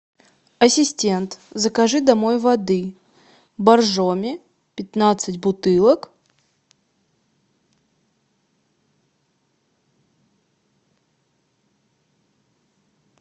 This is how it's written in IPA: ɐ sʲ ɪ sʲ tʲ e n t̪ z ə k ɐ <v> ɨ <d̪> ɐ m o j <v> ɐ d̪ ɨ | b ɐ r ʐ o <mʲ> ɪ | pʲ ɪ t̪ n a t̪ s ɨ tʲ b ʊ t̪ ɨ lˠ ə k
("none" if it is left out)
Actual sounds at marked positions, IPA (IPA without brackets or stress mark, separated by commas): ʐ, d̪, v, mʲ